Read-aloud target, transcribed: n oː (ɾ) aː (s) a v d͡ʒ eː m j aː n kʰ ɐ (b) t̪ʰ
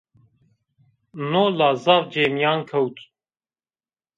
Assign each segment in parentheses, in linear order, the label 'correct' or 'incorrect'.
incorrect: l, incorrect: z, incorrect: w

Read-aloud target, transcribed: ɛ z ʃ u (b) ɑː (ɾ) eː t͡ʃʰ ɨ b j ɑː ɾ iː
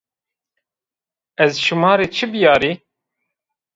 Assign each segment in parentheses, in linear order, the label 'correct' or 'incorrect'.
incorrect: m, correct

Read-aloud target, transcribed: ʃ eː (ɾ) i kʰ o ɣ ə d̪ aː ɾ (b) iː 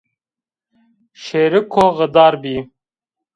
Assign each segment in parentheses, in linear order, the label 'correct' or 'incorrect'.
correct, correct

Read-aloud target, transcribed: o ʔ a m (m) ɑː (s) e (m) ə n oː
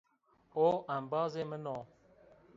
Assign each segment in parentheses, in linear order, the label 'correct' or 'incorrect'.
incorrect: b, incorrect: z, correct

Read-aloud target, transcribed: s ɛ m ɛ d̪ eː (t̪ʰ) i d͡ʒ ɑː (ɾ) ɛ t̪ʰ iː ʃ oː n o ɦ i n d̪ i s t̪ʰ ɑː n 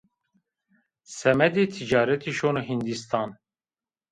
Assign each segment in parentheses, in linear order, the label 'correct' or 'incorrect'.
correct, correct

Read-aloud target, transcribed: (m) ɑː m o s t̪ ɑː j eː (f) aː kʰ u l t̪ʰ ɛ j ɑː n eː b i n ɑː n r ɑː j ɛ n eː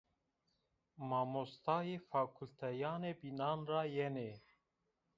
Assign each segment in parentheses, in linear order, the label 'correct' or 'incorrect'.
correct, correct

